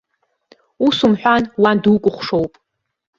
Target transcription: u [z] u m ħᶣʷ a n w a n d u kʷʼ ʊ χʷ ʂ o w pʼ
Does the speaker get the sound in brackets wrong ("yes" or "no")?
yes